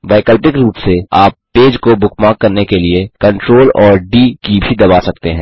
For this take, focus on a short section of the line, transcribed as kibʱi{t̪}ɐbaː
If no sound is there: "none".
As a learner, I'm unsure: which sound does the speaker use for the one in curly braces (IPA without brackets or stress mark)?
d̪